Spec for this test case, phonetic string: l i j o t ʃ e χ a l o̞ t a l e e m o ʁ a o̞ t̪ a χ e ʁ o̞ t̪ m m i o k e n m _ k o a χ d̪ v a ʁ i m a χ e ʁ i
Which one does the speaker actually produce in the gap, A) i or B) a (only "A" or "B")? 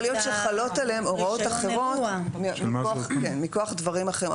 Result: A